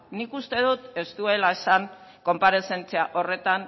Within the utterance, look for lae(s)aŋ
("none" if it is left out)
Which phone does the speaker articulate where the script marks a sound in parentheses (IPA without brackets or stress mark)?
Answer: s